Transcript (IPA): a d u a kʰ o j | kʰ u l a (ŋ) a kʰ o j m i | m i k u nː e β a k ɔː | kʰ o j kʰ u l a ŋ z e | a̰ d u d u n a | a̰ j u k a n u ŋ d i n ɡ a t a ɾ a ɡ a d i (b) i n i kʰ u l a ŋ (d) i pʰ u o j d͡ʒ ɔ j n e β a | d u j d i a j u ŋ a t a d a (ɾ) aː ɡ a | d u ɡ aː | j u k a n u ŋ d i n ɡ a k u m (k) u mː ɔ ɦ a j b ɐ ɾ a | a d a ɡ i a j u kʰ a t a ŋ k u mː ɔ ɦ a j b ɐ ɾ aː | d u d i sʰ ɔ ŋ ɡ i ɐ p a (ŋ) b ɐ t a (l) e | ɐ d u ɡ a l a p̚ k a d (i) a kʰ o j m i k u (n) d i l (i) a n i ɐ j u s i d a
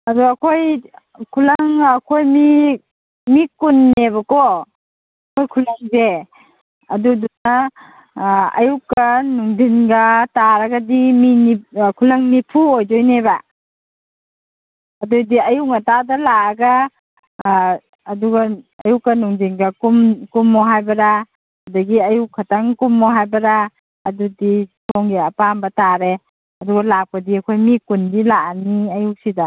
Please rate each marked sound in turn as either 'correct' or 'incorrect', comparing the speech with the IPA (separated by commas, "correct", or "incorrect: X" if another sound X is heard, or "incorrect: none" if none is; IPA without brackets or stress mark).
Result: correct, incorrect: m, incorrect: n, incorrect: l, correct, incorrect: m, incorrect: ɾ, correct, correct, incorrect: a